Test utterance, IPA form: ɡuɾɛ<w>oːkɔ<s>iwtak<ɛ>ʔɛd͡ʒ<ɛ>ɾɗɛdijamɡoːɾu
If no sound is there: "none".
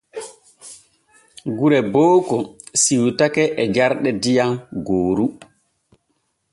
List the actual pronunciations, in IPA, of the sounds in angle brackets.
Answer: b, s, ɛ, a

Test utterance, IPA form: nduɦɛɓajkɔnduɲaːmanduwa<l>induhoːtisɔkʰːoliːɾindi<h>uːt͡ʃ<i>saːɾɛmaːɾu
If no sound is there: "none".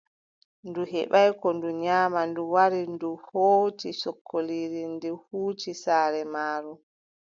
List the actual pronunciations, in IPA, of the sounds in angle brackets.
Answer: ɾ, h, i

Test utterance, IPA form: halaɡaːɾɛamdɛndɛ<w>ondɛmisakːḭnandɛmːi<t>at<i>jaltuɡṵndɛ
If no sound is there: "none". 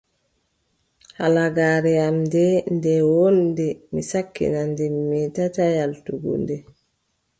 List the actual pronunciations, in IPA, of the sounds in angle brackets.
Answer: w, t, a

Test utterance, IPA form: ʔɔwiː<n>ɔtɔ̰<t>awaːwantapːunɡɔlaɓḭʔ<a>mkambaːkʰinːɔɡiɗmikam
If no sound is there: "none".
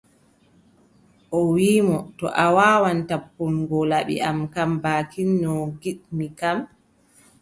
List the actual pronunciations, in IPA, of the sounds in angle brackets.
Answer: m, ʔ, a

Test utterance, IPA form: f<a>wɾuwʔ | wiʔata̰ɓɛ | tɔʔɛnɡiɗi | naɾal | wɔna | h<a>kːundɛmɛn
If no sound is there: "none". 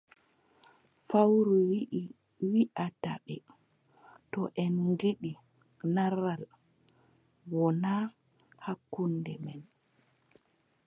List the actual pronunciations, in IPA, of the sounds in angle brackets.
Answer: a, a

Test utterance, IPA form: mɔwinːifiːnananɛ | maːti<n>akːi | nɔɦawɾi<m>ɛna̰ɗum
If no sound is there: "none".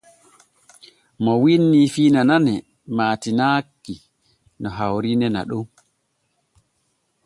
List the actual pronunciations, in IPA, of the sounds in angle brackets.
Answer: n, n

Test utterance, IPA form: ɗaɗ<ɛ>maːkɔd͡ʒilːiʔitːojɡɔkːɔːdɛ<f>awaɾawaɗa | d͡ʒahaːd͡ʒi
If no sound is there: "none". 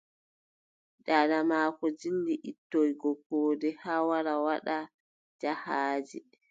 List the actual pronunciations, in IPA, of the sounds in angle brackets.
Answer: a, h

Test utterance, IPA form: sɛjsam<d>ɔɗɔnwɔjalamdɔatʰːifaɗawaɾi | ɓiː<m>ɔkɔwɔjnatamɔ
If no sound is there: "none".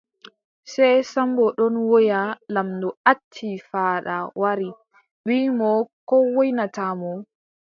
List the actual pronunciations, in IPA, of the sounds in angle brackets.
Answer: b, m

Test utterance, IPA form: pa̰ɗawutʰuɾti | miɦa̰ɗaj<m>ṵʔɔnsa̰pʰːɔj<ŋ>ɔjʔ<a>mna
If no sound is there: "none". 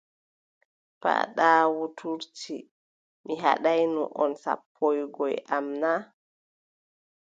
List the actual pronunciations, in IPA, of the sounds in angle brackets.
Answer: n, ɡ, a

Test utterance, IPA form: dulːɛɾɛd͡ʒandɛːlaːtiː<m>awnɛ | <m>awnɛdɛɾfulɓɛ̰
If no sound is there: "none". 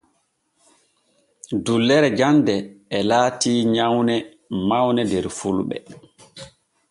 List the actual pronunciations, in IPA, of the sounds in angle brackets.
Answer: ɲ, m

